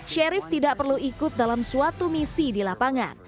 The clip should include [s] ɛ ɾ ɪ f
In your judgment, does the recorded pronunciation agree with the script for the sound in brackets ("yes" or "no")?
no